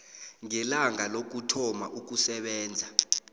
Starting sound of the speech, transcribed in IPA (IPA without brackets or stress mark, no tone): ŋ